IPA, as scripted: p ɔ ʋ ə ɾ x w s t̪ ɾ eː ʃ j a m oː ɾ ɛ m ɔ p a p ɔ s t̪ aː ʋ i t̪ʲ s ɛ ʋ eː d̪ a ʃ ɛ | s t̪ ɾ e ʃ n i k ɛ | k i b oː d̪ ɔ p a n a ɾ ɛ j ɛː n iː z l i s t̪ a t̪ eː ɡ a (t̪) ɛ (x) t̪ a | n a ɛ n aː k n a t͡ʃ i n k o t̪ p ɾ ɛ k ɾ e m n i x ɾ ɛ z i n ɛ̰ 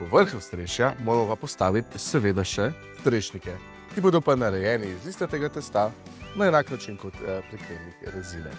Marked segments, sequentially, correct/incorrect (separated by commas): correct, incorrect